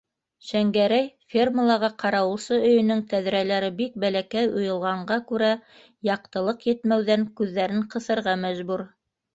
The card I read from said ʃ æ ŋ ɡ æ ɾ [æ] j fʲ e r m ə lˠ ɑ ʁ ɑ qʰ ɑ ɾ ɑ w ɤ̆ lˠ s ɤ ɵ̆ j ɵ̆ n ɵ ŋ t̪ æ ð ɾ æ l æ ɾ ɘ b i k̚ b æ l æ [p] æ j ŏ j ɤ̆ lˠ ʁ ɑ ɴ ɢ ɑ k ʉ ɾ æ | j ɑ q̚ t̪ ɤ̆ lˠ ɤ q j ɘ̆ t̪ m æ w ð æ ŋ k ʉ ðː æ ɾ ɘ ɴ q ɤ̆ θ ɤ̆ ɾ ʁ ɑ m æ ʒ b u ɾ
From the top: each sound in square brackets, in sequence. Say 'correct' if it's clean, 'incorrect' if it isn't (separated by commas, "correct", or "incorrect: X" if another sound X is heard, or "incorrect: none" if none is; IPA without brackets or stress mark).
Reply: correct, incorrect: k